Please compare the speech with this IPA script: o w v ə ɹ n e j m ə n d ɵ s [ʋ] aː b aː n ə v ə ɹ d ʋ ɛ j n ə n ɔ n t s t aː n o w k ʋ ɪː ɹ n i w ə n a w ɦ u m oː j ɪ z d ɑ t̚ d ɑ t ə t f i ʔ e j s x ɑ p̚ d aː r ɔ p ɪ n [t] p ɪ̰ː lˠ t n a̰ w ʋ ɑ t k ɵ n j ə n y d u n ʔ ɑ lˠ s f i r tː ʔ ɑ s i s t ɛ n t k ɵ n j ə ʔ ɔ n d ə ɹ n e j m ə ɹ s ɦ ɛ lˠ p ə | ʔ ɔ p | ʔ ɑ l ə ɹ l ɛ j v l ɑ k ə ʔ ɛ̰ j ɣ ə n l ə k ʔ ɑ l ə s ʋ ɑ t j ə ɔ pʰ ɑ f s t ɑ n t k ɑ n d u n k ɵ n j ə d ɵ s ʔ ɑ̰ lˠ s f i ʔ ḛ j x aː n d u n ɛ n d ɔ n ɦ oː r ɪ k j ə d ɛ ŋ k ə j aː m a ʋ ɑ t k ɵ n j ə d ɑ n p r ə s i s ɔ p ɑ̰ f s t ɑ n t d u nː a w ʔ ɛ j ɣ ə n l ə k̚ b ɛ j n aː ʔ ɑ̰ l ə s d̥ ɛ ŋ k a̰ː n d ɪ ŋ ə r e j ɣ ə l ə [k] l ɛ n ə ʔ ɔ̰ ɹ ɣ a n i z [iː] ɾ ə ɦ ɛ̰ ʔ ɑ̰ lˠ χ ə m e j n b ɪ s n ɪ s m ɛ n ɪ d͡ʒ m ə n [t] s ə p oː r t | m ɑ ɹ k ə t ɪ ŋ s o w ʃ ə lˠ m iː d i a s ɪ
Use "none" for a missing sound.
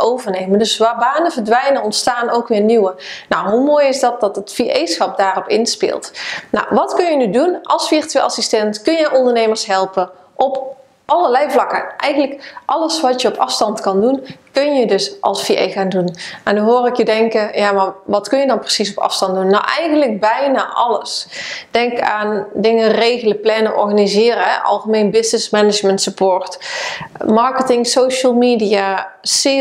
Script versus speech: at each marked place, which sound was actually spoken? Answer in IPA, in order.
ʋ, s, p, ɪː, t

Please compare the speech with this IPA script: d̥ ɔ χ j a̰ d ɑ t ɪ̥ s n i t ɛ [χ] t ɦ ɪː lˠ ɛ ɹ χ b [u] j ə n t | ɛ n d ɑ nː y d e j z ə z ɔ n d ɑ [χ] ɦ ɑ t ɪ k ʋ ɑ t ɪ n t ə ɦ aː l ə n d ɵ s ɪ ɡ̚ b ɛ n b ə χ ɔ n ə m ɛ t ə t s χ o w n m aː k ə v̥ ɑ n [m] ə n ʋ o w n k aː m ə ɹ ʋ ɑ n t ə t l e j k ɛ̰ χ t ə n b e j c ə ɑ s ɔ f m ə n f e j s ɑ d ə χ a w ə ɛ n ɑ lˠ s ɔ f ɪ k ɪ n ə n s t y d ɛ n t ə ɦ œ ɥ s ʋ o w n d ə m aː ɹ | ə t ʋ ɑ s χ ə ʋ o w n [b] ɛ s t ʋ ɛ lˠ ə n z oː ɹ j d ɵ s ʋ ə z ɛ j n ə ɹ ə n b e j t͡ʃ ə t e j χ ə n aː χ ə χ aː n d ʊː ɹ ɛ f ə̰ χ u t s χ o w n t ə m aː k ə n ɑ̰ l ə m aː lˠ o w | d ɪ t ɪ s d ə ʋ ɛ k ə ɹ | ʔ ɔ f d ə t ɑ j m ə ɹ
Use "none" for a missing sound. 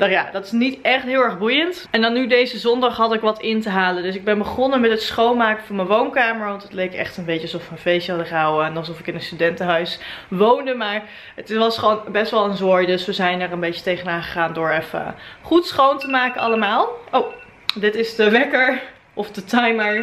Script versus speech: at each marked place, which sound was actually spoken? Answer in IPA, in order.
χ, u, χ, m, b

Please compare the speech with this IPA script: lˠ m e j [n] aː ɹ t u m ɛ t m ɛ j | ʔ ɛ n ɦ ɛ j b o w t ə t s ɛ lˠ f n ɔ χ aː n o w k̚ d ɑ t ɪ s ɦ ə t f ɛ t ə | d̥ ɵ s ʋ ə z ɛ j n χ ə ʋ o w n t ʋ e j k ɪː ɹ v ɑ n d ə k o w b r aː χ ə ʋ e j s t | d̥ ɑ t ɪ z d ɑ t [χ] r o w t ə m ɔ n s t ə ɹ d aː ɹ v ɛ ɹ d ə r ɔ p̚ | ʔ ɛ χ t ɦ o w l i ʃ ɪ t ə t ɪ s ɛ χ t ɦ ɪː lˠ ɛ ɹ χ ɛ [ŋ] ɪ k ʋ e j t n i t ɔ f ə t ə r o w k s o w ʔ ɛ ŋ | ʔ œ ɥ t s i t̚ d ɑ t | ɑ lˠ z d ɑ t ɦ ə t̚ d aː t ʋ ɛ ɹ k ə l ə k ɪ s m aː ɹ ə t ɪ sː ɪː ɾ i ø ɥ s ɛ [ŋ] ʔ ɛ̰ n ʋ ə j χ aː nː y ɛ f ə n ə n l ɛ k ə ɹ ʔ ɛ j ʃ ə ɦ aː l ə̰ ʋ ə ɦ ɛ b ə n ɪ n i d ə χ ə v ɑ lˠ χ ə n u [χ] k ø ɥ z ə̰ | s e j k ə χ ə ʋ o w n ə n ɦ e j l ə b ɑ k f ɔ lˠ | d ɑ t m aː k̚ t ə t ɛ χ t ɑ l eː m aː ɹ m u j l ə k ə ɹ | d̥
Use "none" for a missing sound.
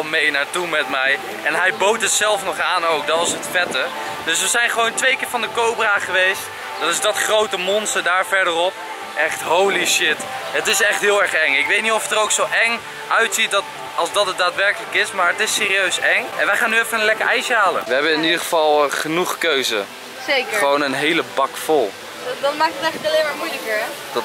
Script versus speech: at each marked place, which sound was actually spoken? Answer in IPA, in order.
n, χ, ŋ, ŋ, χ

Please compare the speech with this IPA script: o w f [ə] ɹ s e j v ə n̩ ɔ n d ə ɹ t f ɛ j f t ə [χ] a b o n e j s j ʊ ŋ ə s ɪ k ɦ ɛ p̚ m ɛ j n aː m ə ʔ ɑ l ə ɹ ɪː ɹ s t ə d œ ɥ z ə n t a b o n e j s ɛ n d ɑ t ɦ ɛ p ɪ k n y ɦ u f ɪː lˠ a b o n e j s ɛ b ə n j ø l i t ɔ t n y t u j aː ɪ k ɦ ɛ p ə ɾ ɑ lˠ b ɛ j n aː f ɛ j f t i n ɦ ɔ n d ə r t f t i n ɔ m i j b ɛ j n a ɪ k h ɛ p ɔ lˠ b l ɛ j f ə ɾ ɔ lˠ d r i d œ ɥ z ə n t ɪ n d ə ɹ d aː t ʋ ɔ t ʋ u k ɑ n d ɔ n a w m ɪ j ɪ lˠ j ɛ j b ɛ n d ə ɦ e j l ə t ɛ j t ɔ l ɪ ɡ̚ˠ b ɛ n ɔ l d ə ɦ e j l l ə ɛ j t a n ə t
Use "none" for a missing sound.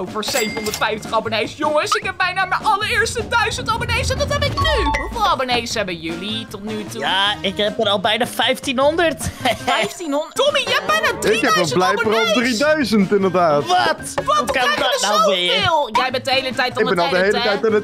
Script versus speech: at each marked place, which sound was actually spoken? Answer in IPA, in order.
ə, χ

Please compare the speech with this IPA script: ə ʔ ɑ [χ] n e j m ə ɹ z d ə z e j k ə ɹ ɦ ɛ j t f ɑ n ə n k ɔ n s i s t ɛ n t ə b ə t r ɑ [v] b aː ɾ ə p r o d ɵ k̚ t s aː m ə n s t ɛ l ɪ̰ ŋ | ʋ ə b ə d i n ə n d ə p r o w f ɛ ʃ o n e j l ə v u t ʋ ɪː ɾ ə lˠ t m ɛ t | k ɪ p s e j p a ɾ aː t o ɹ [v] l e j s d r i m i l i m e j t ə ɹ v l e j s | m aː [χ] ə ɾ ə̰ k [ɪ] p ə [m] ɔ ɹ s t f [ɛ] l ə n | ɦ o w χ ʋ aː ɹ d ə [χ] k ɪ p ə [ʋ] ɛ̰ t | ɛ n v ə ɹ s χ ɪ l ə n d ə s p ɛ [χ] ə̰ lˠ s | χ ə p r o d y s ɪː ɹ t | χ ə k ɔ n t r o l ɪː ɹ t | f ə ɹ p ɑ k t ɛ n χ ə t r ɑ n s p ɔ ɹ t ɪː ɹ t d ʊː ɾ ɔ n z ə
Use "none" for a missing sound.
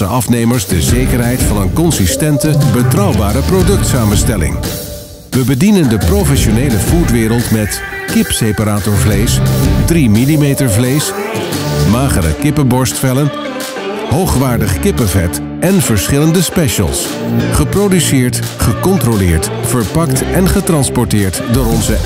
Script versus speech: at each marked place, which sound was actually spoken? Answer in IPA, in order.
f, w, v, χ, ɪ, b, ɛ, χ, v, ʃ

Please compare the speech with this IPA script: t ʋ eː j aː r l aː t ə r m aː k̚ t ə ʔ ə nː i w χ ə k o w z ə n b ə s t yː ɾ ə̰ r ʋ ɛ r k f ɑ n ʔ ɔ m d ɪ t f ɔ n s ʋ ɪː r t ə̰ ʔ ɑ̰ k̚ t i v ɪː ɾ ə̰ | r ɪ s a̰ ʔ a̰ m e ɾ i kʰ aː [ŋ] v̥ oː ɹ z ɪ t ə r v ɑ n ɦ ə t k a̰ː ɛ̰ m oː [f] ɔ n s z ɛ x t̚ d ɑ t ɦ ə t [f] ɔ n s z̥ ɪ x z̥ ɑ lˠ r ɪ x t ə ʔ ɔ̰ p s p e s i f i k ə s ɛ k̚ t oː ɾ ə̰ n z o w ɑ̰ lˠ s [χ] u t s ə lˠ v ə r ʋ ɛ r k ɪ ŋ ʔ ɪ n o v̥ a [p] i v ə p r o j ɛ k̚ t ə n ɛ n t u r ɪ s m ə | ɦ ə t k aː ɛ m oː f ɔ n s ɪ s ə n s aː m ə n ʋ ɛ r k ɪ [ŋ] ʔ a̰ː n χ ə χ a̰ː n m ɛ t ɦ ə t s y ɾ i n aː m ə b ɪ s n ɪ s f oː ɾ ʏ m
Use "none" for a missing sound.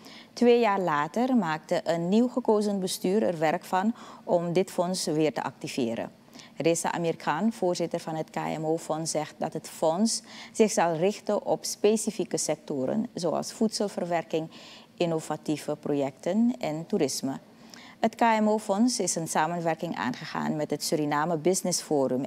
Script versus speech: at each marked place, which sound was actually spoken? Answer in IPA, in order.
n, f, f, f, t, ŋ

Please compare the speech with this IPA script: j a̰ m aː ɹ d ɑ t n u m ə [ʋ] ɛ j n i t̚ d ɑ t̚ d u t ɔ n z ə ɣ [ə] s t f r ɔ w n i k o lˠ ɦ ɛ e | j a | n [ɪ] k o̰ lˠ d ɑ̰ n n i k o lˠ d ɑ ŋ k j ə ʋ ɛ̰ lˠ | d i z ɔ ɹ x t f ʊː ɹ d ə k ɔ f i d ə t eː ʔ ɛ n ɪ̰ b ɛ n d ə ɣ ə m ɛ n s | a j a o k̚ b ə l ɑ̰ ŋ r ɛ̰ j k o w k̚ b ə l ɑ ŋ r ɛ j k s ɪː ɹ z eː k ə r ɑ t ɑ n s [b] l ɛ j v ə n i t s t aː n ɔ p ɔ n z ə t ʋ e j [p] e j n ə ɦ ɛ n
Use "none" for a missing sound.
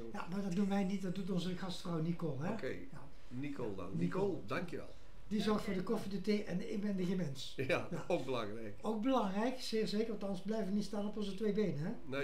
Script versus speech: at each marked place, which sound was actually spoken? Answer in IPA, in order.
ʋ, ɑ, i, b, b

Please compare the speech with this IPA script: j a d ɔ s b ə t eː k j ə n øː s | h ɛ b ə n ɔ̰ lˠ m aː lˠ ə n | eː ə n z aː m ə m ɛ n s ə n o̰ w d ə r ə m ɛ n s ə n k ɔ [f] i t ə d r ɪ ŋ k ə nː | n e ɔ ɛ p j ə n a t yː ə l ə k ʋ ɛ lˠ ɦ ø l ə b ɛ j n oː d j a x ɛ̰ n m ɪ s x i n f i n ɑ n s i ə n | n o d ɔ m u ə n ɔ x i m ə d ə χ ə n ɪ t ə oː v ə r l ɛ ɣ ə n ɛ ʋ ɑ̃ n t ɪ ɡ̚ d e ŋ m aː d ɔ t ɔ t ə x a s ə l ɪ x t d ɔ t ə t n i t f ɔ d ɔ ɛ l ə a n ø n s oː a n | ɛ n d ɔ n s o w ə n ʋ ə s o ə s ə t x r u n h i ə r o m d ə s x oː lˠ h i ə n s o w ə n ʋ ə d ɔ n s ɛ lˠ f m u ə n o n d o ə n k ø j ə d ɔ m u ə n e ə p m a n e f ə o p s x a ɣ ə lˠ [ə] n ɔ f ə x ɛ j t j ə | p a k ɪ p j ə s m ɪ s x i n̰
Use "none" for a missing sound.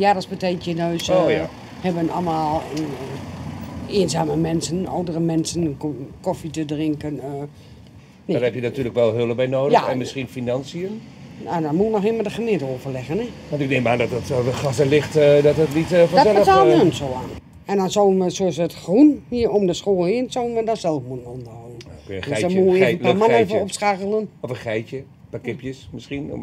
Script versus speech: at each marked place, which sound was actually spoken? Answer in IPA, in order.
f, ə

